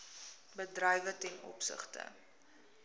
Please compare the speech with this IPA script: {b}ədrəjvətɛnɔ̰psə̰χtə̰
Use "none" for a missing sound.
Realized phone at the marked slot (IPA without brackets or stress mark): b